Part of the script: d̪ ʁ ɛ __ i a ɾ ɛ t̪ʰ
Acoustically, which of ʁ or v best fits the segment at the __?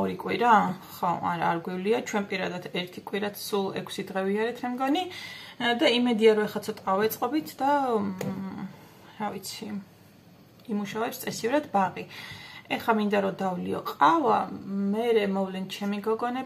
v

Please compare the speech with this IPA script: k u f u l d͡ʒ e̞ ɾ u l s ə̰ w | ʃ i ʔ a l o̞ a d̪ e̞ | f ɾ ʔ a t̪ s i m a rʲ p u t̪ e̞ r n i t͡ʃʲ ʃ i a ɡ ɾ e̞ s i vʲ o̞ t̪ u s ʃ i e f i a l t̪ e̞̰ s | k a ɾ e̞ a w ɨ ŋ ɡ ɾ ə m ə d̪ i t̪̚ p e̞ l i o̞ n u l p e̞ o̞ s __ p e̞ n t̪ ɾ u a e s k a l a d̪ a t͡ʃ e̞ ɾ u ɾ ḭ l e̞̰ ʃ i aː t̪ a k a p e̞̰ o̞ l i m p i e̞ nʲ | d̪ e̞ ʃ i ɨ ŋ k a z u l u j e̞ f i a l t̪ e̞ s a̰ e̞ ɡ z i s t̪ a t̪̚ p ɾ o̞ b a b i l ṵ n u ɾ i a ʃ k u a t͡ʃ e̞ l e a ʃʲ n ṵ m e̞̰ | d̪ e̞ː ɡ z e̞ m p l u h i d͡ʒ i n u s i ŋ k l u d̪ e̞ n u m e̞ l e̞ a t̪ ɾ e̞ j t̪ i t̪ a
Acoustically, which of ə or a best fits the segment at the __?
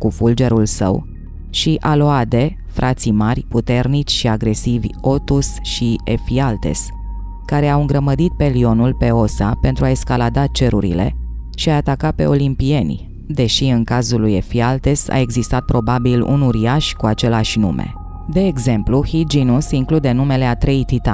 a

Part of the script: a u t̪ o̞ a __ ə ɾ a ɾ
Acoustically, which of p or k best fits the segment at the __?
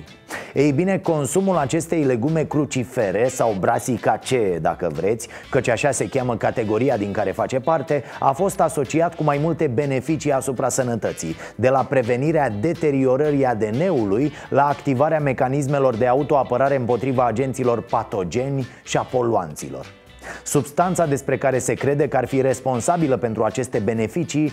p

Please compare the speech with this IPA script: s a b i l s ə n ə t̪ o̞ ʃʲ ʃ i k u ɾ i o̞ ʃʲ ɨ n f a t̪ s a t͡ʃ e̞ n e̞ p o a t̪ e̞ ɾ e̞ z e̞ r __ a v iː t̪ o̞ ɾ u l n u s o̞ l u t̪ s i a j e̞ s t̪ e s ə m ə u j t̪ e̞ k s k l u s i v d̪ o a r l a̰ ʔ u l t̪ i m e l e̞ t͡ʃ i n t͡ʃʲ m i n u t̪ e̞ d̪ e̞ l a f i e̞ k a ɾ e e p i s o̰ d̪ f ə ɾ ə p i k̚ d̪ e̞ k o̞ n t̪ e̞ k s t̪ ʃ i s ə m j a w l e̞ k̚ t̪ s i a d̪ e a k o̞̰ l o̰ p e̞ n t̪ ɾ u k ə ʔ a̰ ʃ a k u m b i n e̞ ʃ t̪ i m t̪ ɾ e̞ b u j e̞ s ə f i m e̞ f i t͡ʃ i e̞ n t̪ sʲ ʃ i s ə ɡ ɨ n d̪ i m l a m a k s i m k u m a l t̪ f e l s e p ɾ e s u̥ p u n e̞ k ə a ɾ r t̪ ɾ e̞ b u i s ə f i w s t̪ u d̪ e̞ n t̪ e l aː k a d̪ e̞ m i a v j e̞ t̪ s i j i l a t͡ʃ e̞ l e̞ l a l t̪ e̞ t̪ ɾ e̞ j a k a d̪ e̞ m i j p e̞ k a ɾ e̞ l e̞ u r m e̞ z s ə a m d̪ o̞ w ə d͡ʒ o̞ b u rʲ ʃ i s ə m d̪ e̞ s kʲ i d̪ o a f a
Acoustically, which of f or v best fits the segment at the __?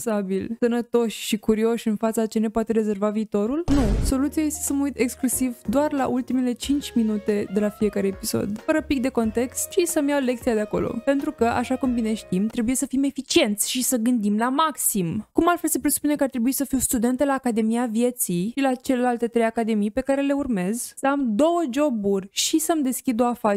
v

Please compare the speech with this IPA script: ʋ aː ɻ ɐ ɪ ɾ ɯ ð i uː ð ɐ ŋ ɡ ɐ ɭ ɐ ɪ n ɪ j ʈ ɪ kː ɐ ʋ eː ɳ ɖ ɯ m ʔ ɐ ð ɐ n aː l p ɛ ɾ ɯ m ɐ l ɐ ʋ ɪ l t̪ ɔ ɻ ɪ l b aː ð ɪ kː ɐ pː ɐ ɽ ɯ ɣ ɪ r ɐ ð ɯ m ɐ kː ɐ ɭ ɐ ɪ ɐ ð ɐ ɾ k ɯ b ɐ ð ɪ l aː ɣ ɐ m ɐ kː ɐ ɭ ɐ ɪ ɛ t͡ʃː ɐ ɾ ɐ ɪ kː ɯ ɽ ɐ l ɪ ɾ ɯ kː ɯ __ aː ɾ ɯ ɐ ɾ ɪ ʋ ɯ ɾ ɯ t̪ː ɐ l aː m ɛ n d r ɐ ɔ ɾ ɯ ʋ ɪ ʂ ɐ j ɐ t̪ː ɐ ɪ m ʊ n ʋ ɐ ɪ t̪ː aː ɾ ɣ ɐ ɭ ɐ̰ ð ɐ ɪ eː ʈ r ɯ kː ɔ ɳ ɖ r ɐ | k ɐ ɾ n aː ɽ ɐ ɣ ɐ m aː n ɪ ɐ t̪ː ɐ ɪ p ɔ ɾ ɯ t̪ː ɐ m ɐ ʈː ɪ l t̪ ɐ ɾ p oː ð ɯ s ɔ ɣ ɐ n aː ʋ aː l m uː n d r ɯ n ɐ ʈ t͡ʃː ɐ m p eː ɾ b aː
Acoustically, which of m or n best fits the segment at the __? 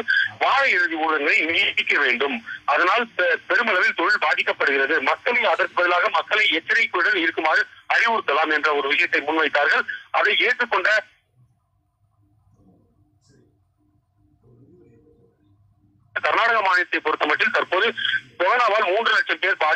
m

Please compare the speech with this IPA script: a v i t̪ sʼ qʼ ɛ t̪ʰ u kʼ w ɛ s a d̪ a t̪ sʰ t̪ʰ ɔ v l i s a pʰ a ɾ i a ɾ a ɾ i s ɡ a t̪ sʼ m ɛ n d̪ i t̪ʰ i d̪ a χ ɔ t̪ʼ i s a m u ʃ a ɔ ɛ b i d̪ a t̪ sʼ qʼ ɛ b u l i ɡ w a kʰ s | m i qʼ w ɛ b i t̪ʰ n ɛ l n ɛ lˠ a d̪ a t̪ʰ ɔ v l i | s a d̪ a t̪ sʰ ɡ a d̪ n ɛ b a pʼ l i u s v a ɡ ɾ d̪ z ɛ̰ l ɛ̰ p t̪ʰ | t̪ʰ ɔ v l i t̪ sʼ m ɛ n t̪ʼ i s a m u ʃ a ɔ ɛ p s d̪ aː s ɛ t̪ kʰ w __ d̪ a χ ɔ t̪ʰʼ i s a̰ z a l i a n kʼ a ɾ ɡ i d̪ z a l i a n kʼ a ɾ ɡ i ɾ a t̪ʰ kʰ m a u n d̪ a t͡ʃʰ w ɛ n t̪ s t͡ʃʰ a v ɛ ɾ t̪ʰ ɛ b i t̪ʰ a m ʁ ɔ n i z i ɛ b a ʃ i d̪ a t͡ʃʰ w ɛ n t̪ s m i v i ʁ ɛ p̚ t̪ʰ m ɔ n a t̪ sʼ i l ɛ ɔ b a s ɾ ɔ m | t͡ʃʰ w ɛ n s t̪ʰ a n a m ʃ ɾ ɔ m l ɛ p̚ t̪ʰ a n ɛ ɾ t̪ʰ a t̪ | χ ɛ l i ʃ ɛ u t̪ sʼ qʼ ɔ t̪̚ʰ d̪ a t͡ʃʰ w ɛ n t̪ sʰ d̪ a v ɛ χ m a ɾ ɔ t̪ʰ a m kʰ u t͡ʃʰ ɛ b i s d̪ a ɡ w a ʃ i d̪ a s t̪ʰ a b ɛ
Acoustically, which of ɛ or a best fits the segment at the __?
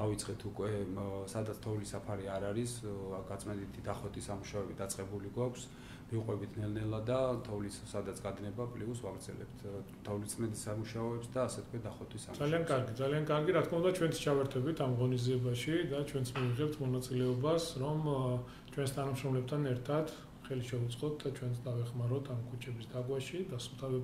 ɛ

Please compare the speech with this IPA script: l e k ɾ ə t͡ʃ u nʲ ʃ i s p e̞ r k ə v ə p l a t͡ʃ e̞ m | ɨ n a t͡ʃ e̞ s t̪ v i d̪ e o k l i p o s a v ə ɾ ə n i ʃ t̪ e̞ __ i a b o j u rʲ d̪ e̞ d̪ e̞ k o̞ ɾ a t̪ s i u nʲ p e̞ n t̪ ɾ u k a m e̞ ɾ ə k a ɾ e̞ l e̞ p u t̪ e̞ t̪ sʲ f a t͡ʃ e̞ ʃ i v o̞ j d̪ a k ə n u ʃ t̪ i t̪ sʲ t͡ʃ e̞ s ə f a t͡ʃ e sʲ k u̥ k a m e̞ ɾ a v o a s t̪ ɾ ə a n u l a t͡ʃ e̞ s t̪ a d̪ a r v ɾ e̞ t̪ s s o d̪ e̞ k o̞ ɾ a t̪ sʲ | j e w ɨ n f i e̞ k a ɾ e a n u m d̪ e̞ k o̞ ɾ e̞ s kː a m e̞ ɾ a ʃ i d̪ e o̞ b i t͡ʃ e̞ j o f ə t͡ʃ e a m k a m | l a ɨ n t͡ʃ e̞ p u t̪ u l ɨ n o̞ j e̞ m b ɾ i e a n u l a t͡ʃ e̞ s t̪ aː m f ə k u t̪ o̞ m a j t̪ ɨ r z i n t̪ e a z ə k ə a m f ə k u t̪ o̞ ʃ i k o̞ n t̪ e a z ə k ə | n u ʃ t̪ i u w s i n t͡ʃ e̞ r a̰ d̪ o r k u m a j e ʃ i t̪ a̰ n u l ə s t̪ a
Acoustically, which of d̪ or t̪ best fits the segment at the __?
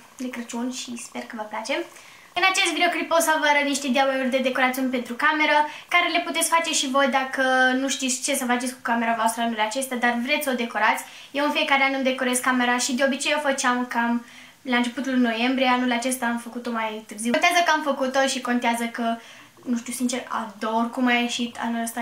d̪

